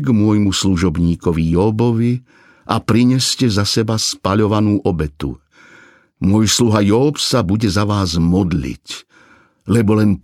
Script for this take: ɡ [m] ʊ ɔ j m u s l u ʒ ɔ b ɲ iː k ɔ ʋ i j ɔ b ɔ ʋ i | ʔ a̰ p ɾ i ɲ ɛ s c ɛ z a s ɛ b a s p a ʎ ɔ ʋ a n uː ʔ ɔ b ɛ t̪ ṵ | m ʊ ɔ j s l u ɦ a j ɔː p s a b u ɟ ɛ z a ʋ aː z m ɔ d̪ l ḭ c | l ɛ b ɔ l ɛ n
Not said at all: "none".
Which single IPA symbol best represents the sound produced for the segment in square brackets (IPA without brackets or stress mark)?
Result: m